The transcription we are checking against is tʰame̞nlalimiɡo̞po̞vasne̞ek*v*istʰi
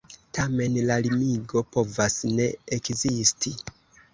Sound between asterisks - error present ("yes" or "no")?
yes